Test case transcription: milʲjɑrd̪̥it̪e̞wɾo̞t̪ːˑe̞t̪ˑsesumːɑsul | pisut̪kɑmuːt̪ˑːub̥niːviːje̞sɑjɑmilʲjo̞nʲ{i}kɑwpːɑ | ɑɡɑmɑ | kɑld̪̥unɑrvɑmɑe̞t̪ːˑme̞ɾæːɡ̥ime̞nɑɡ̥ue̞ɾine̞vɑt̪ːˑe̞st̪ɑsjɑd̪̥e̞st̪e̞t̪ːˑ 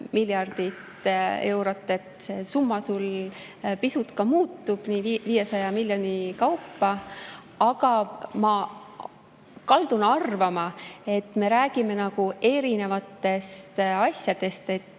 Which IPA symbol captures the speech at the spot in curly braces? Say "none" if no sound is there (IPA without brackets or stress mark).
i